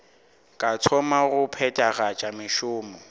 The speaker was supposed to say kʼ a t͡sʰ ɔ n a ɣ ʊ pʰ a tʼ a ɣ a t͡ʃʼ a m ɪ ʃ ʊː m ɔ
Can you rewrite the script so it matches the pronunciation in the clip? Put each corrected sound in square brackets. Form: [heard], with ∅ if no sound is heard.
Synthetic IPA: kʼ a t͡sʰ ɔ [m] a ɣ ʊ pʰ [ɛ] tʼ a ɣ a t͡ʃʼ a m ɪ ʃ ʊː m ɔ